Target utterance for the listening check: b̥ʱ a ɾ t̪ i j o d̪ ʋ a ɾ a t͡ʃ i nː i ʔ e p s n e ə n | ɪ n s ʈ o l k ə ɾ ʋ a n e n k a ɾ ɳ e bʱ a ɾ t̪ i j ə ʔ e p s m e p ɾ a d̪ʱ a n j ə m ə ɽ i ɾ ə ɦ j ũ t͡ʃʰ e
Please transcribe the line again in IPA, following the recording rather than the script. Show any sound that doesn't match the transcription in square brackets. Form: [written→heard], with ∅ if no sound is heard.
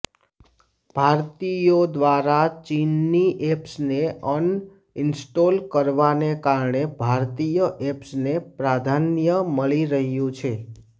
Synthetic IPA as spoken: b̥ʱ a ɾ t̪ i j o d̪ ʋ a ɾ a t͡ʃ i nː i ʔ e p s n e ə n | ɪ n s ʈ o l k ə ɾ ʋ a n e [n→∅] k a ɾ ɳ e bʱ a ɾ t̪ i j ə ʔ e p s [m→n] e p ɾ a d̪ʱ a n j ə m ə [ɽ→ɭ] i ɾ ə ɦ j ũ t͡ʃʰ e